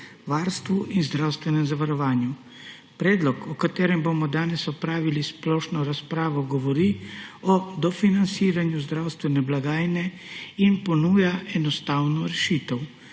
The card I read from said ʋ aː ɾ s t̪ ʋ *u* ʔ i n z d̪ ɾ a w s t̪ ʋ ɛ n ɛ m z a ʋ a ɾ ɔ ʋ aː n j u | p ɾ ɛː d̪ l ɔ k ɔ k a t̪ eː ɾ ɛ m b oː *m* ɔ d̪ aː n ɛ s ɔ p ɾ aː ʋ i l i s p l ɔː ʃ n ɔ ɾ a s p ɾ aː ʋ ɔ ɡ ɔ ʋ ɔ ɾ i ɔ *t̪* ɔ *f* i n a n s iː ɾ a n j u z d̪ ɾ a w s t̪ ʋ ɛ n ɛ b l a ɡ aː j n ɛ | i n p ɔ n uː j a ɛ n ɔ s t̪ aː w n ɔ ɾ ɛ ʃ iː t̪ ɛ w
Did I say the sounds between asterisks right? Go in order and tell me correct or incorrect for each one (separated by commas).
correct, correct, incorrect, correct